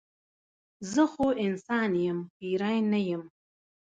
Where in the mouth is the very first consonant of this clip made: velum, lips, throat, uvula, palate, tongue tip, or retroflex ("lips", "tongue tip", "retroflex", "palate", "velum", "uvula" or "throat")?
tongue tip